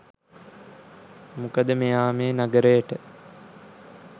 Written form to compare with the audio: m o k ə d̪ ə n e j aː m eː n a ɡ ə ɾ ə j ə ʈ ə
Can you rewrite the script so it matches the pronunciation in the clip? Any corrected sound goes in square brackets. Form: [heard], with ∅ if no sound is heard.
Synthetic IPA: m [u] k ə d̪ ə [m] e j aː m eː n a ɡ ə ɾ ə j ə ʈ ə